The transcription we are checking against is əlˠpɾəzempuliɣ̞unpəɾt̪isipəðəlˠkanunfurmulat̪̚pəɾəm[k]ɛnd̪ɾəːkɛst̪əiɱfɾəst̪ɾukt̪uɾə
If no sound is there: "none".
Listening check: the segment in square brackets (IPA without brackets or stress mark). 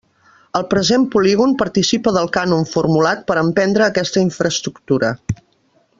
p